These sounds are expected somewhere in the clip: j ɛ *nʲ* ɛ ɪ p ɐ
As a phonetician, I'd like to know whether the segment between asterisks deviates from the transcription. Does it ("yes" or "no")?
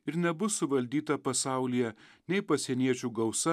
no